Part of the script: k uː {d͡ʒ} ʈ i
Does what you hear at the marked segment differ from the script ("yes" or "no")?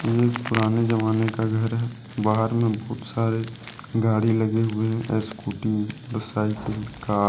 yes